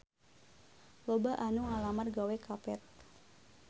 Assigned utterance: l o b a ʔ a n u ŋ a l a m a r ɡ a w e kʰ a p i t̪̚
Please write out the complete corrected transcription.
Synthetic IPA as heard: l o b a ʔ a n u ŋ a l a m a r ɡ a w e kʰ a p ɛ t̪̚